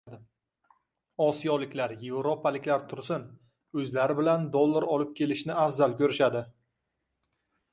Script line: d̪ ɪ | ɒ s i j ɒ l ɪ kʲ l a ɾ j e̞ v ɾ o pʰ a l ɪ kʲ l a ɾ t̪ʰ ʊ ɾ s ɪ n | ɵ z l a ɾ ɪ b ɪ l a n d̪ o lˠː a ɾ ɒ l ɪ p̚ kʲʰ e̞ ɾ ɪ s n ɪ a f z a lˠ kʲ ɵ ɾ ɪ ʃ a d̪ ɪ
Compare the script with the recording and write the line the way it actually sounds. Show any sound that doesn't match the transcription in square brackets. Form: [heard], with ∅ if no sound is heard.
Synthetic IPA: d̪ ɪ | ɒ s i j ɒ l ɪ kʲ l a ɾ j e̞ v ɾ o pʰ a l ɪ kʲ l a ɾ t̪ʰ ʊ ɾ s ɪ n | ɵ z l a ɾ ɪ b ɪ l a n d̪ o lˠː a ɾ ɒ l ɪ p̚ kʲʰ e̞ [l] ɪ [ʃ] n ɪ a f z a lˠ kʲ ɵ ɾ ɪ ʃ a d̪ ɪ